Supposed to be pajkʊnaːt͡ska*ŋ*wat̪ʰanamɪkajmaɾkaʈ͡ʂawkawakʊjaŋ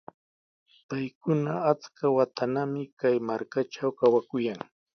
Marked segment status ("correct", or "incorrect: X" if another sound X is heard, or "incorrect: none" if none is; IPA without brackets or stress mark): incorrect: none